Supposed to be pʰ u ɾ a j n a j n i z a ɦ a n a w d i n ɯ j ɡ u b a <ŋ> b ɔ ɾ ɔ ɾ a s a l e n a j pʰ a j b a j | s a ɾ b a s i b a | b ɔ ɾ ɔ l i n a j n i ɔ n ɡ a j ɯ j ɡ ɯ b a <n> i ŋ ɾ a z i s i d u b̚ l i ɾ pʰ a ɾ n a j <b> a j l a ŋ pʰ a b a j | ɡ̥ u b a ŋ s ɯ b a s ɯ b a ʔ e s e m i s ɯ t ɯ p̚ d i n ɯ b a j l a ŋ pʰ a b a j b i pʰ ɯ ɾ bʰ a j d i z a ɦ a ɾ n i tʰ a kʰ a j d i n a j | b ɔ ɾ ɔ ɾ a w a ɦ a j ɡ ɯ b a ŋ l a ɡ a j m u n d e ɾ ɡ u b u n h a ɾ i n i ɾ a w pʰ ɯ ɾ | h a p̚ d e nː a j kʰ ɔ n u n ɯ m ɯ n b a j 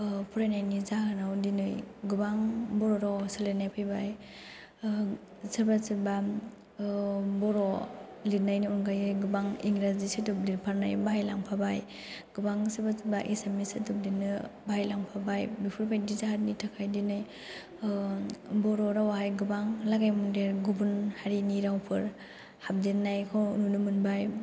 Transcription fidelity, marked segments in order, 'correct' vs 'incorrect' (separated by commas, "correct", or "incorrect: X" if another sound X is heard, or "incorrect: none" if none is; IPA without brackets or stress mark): correct, incorrect: ŋ, correct